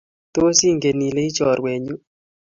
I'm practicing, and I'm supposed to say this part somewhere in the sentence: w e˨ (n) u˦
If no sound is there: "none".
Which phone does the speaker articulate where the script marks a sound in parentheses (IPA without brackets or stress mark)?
ɲ